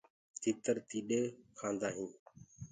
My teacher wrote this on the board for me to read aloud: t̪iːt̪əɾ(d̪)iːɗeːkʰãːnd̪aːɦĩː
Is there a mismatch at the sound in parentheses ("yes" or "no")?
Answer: yes